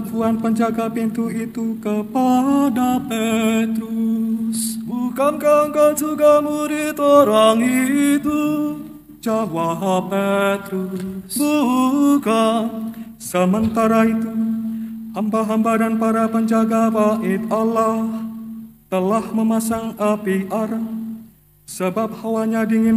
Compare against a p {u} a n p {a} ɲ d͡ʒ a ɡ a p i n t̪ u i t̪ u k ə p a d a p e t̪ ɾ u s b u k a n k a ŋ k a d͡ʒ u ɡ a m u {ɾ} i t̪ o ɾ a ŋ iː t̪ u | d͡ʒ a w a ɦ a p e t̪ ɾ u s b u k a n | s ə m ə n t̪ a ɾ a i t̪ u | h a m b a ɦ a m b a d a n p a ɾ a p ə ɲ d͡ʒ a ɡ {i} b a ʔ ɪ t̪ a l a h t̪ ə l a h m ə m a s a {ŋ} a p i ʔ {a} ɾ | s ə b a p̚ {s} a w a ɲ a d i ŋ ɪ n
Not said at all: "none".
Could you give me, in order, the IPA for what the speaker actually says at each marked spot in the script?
u, ə, ɾ, a, ŋ, a, h

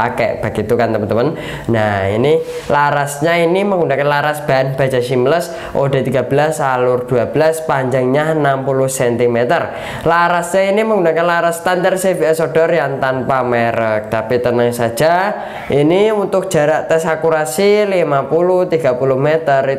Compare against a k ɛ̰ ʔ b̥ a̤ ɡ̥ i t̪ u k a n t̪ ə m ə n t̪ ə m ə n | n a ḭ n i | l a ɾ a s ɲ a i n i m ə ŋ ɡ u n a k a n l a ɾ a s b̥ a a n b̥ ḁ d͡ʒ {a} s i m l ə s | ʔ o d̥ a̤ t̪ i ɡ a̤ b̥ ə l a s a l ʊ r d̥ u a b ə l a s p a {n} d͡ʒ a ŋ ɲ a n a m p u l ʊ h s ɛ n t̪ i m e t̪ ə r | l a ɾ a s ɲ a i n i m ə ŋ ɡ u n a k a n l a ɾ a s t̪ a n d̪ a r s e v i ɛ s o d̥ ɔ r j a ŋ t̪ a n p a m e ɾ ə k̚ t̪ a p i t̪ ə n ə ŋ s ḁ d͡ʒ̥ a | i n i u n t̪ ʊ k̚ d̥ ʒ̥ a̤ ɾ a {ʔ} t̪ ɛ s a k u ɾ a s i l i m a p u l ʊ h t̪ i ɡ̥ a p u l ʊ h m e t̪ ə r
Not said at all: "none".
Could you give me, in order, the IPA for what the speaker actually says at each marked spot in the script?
a, ɲ, ʔ

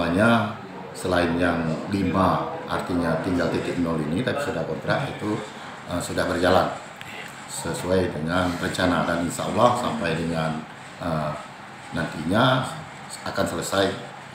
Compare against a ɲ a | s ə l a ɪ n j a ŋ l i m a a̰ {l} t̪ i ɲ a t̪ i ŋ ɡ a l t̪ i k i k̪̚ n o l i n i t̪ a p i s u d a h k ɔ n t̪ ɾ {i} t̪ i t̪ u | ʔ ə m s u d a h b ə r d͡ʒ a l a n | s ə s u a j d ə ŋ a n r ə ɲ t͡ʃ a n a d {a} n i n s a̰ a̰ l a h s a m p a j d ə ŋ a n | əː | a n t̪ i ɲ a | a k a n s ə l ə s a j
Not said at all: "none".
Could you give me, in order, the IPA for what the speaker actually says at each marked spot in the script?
r, a, a

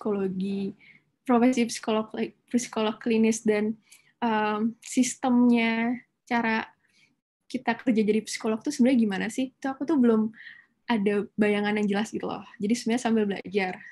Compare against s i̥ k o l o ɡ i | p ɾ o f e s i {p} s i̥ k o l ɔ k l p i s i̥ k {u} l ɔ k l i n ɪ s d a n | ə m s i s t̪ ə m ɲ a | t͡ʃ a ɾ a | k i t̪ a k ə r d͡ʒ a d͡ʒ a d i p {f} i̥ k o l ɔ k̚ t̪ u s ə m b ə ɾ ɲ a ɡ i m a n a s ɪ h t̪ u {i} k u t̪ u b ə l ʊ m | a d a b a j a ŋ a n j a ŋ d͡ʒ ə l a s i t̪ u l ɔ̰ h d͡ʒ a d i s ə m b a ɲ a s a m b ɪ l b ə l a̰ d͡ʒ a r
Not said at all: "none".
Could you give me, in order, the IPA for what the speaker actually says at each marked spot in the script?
p, o, s, a

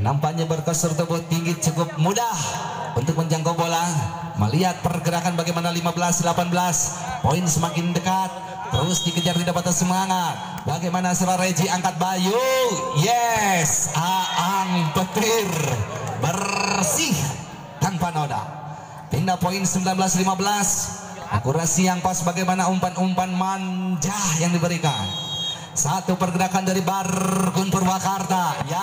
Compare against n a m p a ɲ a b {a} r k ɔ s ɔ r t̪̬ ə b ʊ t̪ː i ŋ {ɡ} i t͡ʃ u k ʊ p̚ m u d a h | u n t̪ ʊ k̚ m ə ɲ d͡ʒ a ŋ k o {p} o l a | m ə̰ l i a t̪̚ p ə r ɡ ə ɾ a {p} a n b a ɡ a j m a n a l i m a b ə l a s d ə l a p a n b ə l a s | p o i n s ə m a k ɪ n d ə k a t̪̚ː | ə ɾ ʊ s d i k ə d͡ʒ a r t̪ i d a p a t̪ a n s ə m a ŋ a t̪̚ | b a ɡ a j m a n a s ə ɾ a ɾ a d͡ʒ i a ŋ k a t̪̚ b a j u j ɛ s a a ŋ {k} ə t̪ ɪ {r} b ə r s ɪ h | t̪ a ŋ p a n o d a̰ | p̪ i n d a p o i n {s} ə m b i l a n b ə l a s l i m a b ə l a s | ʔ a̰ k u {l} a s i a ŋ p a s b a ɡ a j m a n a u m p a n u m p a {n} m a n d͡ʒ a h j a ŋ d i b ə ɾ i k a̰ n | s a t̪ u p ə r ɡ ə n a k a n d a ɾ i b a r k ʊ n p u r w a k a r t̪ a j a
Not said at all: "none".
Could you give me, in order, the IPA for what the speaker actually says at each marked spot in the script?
ə, ɡ, b, k, p, r, s, ɾ, n

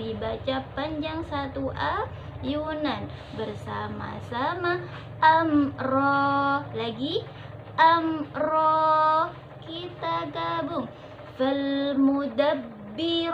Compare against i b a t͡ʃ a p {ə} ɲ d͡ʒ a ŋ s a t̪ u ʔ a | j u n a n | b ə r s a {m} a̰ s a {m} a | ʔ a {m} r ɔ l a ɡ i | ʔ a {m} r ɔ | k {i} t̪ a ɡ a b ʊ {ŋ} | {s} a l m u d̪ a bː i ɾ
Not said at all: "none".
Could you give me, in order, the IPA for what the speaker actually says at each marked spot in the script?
a, m, m, m, m, i, ŋ, f

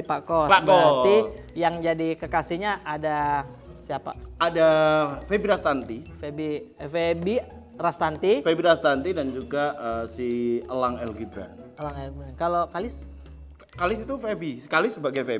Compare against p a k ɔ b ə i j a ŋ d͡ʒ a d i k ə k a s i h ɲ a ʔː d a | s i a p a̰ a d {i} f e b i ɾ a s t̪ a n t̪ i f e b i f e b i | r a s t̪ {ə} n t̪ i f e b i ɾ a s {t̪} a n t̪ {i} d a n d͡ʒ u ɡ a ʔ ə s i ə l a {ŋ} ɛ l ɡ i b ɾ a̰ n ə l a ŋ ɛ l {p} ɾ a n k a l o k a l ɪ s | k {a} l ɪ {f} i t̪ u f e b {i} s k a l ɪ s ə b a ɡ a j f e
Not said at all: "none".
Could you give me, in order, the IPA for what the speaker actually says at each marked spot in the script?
a, a, t̪, i, ŋ, b, a, s, i

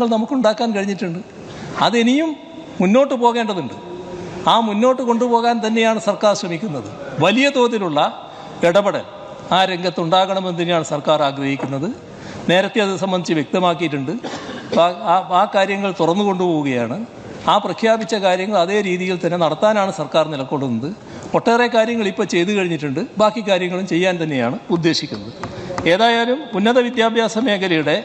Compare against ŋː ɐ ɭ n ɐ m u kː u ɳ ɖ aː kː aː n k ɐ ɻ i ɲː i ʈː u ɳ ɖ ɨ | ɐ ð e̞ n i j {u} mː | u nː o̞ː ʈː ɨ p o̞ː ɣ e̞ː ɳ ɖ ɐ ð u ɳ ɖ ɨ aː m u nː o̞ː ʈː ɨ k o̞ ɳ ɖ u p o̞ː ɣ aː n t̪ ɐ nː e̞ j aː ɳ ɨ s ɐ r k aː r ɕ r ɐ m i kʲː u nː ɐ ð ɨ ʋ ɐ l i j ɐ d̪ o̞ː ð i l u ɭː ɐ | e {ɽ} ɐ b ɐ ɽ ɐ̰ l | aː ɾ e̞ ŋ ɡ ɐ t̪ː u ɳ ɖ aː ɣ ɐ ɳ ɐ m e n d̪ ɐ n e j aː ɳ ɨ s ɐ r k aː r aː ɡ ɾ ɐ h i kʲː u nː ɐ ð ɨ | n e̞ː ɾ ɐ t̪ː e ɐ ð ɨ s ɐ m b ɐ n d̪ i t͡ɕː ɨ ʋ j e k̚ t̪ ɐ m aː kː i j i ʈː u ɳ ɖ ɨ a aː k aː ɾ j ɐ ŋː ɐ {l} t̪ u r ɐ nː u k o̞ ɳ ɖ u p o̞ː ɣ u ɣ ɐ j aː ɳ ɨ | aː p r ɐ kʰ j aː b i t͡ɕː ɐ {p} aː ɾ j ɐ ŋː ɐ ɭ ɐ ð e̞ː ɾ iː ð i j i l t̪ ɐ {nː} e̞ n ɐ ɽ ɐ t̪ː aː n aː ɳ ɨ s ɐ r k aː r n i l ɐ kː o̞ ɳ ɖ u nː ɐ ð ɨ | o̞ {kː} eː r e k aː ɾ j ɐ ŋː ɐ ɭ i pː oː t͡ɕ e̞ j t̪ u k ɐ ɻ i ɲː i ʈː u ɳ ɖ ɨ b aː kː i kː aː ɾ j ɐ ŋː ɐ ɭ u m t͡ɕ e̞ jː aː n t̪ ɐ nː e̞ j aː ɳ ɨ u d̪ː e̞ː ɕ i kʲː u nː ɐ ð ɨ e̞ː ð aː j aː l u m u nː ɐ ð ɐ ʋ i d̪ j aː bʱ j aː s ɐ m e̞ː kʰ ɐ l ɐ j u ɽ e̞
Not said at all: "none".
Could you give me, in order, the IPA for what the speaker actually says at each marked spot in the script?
u, ɽ, ɭ, k, nː, ʈː

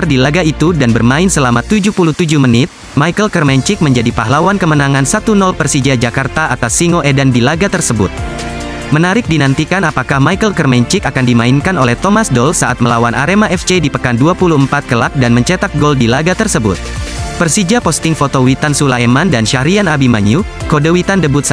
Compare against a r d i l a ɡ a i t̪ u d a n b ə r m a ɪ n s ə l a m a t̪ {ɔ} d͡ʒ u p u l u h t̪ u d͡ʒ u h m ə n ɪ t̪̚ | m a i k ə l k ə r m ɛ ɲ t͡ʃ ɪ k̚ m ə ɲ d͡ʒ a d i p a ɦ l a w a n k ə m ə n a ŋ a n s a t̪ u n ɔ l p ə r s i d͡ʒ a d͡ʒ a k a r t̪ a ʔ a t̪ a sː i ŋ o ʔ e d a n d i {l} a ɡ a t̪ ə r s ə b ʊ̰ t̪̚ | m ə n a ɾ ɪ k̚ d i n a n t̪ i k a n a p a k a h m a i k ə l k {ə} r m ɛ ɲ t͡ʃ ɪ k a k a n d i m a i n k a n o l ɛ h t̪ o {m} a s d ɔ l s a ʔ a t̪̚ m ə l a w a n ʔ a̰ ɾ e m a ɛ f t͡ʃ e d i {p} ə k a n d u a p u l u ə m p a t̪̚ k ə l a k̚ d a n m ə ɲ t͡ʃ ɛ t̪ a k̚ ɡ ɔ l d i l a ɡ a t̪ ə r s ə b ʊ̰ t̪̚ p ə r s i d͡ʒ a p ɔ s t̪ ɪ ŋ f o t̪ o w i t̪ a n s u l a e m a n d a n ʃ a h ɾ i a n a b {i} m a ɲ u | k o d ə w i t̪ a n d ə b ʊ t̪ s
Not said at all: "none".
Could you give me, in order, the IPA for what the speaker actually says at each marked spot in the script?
u, l, ə, m, p, i

